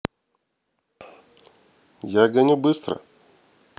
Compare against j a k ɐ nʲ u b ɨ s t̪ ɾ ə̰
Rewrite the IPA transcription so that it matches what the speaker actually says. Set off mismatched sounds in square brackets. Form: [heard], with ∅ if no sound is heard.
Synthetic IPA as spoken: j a [ɡ] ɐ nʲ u b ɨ s t̪ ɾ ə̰